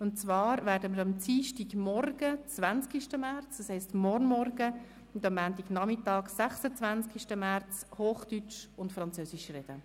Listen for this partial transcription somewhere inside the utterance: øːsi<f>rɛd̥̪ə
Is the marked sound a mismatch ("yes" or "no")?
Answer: yes